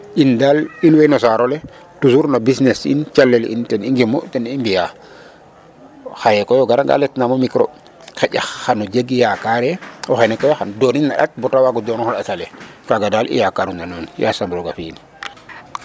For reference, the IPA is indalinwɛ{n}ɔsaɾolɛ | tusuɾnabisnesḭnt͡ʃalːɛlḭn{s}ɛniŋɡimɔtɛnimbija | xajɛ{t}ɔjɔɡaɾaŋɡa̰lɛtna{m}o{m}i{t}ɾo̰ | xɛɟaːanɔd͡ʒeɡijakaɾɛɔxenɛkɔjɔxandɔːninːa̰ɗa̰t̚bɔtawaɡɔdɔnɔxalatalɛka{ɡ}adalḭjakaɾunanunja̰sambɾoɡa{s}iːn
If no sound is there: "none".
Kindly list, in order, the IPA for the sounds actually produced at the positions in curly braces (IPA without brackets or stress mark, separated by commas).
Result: n, t, k, m, m, k, ɡ, f